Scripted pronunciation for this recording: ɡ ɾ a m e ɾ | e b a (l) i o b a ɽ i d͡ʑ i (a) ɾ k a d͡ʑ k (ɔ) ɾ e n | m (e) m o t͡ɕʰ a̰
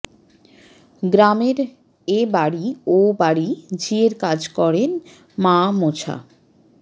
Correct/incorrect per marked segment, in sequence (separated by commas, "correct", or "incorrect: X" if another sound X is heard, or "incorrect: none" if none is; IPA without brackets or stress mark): incorrect: ɽ, incorrect: e, correct, incorrect: a